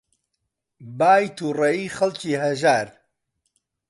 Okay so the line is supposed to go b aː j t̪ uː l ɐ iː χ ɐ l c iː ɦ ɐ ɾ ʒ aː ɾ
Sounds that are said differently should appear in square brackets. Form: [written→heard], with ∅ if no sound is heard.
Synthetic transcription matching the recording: b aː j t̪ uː [l→r] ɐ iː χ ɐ l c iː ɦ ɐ [ɾ→∅] ʒ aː ɾ